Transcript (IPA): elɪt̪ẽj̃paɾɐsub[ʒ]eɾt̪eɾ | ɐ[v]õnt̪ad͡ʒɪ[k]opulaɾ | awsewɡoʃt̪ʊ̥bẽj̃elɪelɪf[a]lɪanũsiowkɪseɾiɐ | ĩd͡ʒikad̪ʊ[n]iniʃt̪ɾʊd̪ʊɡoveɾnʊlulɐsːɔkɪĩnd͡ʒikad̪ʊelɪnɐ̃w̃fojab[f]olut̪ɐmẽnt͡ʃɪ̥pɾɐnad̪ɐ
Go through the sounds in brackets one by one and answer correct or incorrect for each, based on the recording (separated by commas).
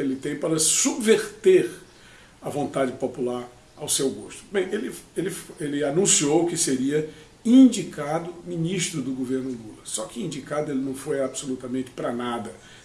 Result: incorrect, correct, incorrect, incorrect, incorrect, incorrect